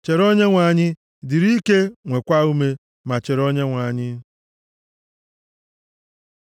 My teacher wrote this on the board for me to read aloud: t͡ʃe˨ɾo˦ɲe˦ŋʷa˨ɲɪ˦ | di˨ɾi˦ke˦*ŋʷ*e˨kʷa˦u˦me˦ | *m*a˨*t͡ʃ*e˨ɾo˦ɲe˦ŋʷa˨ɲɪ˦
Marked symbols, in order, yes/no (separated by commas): yes, yes, yes